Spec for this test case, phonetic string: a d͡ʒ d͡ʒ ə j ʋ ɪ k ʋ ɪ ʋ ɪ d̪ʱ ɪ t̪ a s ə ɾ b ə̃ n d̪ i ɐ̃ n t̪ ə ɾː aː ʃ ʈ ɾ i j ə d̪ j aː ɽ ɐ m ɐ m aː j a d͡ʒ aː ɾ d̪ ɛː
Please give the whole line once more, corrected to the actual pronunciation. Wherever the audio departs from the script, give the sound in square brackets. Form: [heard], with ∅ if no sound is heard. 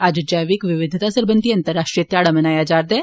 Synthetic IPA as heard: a d͡ʒ d͡ʒ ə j ʋ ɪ k ʋ ɪ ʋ ɪ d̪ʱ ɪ t̪ a s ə ɾ b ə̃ n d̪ i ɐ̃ n t̪ ə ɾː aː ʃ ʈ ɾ i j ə [t̪] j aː ɽ [a] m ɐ [n] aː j a d͡ʒ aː ɾ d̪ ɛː

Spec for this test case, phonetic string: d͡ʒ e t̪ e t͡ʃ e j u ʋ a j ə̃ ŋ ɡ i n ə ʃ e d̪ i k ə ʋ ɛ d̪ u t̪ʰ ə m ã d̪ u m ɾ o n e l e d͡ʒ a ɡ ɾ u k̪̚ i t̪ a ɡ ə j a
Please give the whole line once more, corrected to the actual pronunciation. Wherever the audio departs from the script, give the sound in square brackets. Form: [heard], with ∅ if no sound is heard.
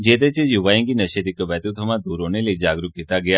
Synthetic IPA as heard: d͡ʒ e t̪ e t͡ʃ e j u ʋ a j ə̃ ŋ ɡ i n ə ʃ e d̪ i k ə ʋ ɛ [t̪] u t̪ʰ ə m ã d̪ u [∅] ɾ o n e l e d͡ʒ a ɡ ɾ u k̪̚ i t̪ a ɡ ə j a

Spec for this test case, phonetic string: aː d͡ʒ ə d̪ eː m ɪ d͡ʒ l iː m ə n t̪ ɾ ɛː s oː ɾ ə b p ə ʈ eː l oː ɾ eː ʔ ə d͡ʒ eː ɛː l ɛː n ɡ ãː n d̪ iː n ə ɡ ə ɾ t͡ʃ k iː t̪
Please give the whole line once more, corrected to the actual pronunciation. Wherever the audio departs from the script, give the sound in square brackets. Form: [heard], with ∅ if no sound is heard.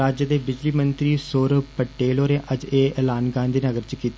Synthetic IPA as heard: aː d͡ʒ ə d̪ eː [b] ɪ d͡ʒ l iː m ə n t̪ ɾ [iː] s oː ɾ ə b p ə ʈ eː l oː ɾ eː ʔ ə d͡ʒ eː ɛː l [aː] n ɡ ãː n d̪ iː n ə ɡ ə ɾ t͡ʃ k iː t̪

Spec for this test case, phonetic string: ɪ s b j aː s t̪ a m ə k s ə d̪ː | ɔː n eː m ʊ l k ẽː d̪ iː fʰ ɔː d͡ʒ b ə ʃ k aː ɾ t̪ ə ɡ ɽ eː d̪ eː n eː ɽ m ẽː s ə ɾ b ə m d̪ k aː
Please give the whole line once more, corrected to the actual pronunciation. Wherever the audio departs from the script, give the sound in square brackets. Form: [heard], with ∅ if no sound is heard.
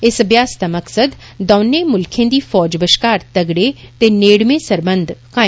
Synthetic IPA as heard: ɪ s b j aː s t̪ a m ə k s ə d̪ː | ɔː n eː m ʊ l [kʰ] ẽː d̪ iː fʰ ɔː d͡ʒ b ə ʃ k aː ɾ t̪ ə ɡ ɽ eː [t̪] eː n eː ɽ m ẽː s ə ɾ b ə [n] d̪ k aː

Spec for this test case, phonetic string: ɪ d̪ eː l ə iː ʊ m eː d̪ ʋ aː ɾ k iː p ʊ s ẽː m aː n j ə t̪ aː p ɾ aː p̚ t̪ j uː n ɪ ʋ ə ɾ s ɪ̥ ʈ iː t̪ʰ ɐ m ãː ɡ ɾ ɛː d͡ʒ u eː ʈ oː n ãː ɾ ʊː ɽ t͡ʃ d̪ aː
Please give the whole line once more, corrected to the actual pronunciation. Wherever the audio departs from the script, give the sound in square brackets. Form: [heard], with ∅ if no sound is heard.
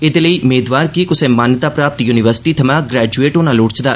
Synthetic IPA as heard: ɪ d̪ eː l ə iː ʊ m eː d̪ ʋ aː ɾ k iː [k] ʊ s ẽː m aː n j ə t̪ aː p ɾ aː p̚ t̪ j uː n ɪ ʋ ə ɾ s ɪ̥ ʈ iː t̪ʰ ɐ m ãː ɡ ɾ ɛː d͡ʒ u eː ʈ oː n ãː [l] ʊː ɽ t͡ʃ d̪ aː

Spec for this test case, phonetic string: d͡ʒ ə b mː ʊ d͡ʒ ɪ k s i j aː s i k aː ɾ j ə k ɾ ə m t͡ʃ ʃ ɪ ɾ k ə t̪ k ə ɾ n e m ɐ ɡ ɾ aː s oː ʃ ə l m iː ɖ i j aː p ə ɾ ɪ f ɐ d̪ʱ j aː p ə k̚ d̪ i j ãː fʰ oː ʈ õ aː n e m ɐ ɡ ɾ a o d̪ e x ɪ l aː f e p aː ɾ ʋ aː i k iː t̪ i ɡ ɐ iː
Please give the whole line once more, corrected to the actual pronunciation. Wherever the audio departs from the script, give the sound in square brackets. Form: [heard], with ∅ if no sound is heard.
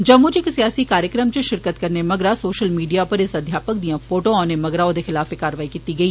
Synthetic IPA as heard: d͡ʒ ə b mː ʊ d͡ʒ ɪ k s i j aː s i k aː ɾ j ə k ɾ ə m t͡ʃ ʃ ɪ ɾ k ə t̪ k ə ɾ n e m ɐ ɡ ɾ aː s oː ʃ ə l m iː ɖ i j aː p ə ɾ ɪ [s] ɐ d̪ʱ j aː p ə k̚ d̪ i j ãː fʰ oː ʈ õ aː n e m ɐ ɡ ɾ a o d̪ e x ɪ l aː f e [k] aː ɾ ʋ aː i k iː t̪ i ɡ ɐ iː

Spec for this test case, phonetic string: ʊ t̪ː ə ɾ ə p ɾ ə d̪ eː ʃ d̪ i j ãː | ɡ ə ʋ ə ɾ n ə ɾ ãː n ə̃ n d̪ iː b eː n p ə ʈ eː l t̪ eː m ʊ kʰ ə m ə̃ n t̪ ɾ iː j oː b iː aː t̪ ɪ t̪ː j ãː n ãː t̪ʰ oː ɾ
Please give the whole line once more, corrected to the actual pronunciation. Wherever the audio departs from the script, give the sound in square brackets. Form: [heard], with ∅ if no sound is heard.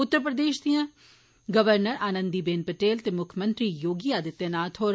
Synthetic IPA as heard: ʊ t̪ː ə ɾ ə p ɾ ə d̪ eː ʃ d̪ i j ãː | ɡ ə ʋ ə ɾ n ə ɾ [aː] n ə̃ n d̪ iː b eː n p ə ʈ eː l t̪ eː m ʊ kʰ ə m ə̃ n t̪ ɾ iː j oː [ɡ] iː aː [d̪] ɪ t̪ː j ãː n [aː] t̪ʰ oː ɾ

